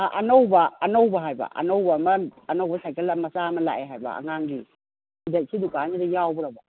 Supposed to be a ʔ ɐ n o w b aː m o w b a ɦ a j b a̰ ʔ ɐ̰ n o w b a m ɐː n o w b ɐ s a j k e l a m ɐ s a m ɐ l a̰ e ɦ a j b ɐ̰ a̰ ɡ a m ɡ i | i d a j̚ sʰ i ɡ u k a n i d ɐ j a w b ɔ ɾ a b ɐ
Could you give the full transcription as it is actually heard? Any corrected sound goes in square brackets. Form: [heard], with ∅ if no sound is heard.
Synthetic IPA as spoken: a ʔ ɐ n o w b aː [n] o w b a ɦ a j b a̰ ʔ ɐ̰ n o w b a m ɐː n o w b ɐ s a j k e l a m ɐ s a m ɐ l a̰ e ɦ a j b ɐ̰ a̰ [ŋ] a [ŋ] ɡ i | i d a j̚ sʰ i [d] u k a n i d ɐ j a w b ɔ ɾ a b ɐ